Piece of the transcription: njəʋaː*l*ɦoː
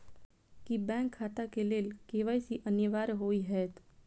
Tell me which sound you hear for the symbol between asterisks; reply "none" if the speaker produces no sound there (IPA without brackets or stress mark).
ɾ